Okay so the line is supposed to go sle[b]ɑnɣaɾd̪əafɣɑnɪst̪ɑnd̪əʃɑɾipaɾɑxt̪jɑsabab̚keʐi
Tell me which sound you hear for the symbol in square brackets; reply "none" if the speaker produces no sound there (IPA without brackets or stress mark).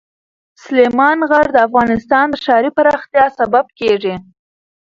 m